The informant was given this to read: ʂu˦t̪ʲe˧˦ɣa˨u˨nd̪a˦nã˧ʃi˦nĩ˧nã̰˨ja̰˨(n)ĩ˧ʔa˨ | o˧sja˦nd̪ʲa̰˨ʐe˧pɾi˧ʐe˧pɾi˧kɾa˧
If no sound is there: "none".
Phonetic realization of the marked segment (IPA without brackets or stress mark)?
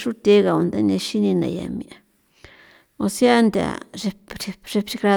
m